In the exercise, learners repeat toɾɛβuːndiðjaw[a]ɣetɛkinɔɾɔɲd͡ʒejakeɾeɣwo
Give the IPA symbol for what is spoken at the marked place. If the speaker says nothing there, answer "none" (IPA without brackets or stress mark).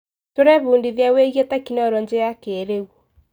e